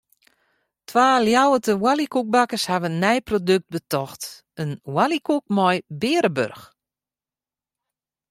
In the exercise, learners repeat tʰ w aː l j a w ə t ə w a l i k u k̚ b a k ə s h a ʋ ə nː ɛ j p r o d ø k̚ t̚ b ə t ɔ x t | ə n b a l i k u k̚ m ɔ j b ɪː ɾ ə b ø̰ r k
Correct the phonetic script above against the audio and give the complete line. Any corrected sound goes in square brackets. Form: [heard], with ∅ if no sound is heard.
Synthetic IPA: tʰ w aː l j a w ə t ə w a l i k u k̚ b a k ə s h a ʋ ə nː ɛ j p r o d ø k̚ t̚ b ə t ɔ x t | ə n [w] a l i k u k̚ m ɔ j b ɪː ɾ ə b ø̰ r [x]